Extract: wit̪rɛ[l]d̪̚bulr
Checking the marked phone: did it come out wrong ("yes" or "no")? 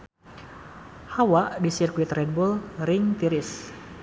yes